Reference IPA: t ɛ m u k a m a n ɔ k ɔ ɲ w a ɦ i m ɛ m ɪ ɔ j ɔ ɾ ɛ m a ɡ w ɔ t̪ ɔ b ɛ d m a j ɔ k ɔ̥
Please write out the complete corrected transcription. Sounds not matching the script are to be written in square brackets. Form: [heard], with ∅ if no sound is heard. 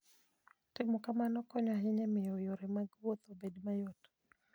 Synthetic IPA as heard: t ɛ m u k a m a n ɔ k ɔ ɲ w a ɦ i [ɲ] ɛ m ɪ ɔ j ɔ ɾ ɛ m a ɡ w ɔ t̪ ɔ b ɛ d m a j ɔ [t] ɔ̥